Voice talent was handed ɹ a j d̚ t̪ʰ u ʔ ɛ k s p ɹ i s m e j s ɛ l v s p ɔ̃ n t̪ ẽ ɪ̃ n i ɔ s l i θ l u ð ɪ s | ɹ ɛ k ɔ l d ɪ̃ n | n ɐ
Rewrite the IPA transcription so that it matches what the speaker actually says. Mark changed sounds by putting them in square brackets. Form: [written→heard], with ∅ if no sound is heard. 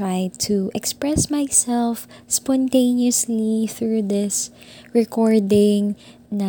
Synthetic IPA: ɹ a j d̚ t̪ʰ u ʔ ɛ k s p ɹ [i→ɛ] s m [e→a] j s ɛ l [v→f] s p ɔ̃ n t̪ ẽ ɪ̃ n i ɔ s l i θ [l→ɹ] u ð ɪ s | ɹ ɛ k ɔ [l→ɹ] d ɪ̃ [n→ŋ] | n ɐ